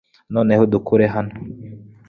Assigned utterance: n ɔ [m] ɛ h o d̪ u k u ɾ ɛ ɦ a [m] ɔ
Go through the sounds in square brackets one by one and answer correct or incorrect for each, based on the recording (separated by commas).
incorrect, incorrect